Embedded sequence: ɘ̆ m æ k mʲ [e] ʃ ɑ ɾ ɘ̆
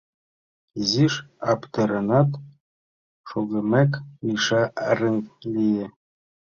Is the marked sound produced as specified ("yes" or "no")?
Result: no